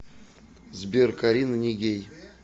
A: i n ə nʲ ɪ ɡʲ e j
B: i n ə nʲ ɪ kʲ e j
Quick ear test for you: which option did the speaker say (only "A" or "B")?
A